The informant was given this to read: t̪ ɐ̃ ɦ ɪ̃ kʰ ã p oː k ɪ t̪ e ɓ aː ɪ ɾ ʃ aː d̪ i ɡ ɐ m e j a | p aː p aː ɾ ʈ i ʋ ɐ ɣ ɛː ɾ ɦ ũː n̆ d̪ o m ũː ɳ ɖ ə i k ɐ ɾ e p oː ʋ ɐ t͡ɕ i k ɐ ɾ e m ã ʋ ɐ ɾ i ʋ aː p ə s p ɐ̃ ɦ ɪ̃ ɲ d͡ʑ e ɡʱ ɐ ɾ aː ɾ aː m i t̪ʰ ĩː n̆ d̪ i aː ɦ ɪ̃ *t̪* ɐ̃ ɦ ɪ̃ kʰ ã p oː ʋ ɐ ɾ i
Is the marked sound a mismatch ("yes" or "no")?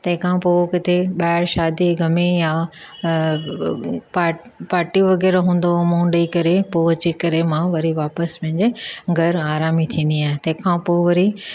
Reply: no